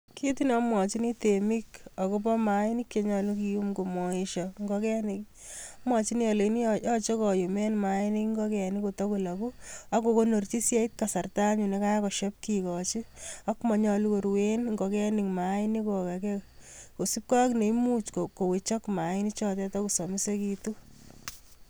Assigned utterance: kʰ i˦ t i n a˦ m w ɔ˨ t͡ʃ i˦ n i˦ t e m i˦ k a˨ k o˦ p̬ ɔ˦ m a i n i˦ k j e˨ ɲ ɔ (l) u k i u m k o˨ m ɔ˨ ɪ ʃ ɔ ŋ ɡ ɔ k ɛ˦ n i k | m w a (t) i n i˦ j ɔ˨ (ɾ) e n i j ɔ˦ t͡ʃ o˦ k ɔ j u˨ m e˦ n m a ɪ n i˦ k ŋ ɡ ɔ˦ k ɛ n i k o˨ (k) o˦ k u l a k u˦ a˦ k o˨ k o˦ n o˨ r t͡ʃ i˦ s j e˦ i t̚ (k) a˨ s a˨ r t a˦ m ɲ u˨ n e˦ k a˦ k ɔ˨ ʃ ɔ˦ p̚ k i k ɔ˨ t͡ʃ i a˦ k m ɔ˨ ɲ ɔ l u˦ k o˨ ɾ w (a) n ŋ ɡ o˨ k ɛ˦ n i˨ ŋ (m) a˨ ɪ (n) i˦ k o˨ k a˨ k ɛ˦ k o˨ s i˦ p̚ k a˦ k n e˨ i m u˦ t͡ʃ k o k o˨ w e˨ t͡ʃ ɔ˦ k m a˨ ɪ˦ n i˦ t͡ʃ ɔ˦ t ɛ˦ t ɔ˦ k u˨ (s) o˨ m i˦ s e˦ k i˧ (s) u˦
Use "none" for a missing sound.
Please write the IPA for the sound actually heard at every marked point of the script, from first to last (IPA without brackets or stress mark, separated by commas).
l, t͡ʃ, l, t, k, e, m, n, s, t